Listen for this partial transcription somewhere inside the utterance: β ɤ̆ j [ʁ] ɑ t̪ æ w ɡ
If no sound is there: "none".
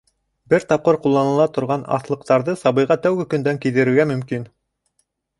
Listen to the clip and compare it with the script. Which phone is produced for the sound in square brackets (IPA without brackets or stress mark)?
ʁ